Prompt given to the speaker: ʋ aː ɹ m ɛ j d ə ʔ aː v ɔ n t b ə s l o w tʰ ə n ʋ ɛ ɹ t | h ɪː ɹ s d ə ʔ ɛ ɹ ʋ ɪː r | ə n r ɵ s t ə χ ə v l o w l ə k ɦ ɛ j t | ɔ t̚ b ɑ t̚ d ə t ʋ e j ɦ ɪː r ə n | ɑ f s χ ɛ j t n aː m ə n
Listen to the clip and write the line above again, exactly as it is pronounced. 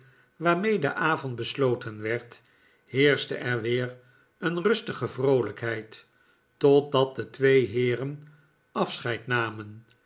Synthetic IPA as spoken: ʋ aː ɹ m e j d ə ʔ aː v ɔ n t b ə s l o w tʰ ə n ʋ ɛ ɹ t | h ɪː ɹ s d ə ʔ ɛ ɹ ʋ ɪː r | ə n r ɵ s t ə χ ə v r o w l ə k ɦ ɛ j t | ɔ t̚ d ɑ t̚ d ə t ʋ e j ɦ ɪː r ə n | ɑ f s χ ɛ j t n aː m ə n

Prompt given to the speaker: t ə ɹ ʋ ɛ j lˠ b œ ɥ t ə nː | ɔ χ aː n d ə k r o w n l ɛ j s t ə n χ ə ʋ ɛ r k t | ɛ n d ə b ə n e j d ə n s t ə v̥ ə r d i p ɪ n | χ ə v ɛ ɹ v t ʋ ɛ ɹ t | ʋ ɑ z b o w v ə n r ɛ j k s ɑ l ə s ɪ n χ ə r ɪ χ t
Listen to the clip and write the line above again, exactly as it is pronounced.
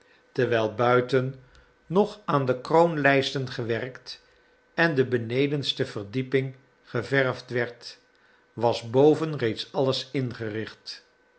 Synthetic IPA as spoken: t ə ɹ ʋ ɛ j lˠ b œ ɥ t ə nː | ɔ χ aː n d ə k r o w n l ɛ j s t ə n χ ə ʋ ɛ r k t | ɛ n d ə b ə n e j d ə n s t ə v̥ ə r d i p ɪ ŋ | χ ə v ɛ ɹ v t ʋ ɛ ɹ t | ʋ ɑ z b o w v ə n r e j t s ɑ l ə s ɪ n χ ə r ɪ χ t

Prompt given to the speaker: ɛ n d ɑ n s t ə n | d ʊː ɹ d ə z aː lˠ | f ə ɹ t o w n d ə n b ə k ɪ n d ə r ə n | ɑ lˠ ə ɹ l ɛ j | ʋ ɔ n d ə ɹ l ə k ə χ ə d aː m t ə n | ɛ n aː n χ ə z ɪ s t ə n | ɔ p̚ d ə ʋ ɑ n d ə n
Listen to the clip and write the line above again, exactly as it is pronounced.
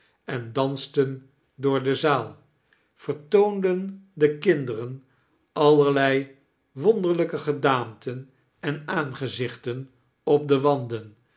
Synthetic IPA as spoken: ɛ n d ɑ n s t ə n | d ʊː ɹ d ə z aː lˠ | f ə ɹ t o w n d ə n d ə k ɪ n d ə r ə n | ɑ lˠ ə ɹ l ɛ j | ʋ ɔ n d ə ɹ l ə k ə χ ə d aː m t ə n | ɛ n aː n χ ə z ɪ χ t ə n | ɔ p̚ d ə ʋ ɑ n d ə n

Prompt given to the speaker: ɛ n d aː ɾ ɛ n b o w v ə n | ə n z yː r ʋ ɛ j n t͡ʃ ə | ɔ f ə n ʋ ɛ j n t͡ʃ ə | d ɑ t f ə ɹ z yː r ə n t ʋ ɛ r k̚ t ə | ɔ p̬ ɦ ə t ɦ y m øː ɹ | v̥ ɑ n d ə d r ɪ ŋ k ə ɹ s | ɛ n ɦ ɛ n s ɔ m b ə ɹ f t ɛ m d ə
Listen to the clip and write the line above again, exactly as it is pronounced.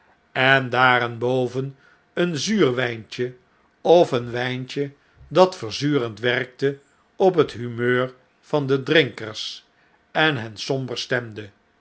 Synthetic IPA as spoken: ɛ n d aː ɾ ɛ n b o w v ə n | ə n z yː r ʋ ɛ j n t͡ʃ ə | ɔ f ə n ʋ ɛ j n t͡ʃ ə | d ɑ t f ə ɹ z yː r ə n t ʋ ɛ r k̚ t ə | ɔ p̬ ɦ ə t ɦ y m øː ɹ | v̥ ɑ n d ə d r ɪ ŋ k ə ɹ s | ɛ n ɦ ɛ n s ɔ m b ə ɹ s t ɛ m d ə

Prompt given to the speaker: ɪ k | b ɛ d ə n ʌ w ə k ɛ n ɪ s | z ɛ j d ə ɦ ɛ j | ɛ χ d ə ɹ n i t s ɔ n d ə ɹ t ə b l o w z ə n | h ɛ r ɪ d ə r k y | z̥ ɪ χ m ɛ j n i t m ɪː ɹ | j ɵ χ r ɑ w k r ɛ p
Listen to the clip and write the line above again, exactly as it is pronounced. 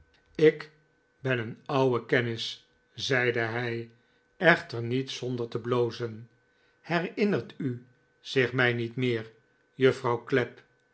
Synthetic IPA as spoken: ɪ k | b ɛ n ə n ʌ w ə k ɛ n ɪ s | z ɛ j d ə ɦ ɛ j | ɛ χ t ə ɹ n i t s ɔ n d ə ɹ t ə b l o w z ə n | h ɛ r ɪ n ə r t y | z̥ ɪ χ m ɛ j n i t m ɪː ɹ | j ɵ f r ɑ w k l ɛ p

